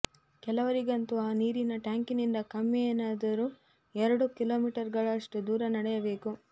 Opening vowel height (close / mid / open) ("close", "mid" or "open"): mid